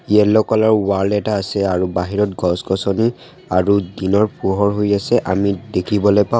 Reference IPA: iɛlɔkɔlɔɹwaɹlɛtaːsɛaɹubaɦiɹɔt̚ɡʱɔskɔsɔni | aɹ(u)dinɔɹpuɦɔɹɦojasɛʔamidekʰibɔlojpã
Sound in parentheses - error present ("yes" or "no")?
no